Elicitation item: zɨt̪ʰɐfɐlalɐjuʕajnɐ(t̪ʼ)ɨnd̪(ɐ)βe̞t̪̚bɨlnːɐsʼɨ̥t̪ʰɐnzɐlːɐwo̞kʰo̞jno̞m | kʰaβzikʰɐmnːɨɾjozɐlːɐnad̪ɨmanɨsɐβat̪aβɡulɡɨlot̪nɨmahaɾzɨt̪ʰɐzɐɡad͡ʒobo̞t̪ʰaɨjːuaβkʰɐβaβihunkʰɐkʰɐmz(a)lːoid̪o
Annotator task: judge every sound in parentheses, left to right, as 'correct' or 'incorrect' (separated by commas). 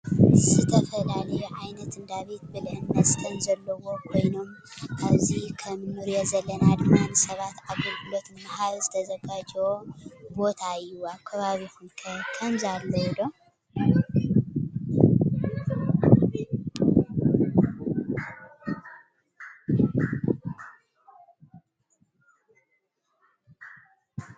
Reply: incorrect, incorrect, correct